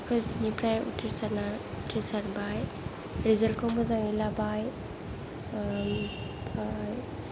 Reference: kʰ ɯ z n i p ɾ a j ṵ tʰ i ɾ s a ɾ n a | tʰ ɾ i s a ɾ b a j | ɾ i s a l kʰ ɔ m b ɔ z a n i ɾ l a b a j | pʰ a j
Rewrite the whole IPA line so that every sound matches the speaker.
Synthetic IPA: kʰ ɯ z n i p ɾ a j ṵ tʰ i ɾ s a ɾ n a | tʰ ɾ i s a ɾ b a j | ɾ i z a l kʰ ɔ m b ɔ z a ŋ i l a b a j | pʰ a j